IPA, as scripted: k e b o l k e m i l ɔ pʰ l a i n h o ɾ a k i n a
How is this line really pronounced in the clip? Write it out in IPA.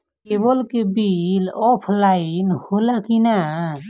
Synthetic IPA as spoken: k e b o l k e b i l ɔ pʰ l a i n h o l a k i n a